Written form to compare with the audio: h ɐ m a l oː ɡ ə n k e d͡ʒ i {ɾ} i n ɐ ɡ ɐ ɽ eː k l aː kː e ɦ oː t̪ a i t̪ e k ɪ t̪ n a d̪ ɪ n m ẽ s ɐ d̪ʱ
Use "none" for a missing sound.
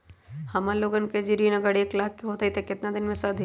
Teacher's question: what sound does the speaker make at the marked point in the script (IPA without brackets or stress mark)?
ɾ